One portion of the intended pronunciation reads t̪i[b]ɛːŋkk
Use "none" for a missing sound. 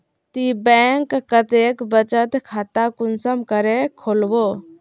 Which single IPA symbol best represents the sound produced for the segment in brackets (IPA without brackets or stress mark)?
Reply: b